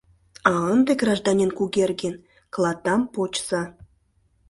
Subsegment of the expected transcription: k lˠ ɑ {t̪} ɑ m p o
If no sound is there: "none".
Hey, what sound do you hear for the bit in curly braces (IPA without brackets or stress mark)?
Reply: t̪